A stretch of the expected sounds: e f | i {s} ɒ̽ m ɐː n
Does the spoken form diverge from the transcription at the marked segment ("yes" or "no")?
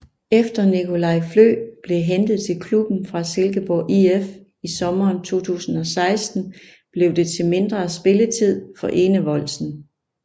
no